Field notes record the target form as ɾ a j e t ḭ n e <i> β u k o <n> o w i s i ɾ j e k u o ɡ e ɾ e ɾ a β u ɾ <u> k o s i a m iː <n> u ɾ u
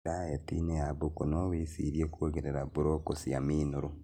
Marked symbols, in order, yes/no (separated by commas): no, yes, no, yes